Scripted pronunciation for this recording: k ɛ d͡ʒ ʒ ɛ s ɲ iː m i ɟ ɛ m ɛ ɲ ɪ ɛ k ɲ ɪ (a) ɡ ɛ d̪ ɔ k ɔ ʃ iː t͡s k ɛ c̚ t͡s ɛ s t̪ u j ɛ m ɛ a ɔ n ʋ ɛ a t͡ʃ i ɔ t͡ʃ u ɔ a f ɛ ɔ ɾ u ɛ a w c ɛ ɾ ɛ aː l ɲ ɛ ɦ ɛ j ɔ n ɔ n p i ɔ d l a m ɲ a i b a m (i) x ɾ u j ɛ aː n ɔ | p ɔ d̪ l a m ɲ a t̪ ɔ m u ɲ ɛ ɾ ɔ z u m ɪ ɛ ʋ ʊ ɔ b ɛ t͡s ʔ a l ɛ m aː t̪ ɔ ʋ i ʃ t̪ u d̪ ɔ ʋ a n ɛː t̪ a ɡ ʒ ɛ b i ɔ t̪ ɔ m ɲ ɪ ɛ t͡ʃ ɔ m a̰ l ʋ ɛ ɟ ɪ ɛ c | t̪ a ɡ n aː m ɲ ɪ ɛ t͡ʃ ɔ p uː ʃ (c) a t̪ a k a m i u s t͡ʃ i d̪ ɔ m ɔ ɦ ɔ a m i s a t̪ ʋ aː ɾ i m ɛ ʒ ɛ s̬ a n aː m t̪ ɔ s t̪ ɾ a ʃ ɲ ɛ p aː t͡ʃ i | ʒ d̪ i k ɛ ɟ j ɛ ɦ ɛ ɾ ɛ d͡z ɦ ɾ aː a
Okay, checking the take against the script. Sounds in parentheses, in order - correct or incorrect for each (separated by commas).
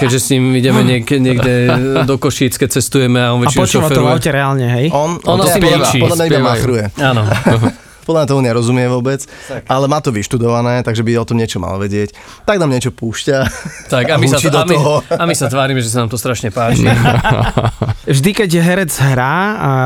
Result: incorrect, incorrect, correct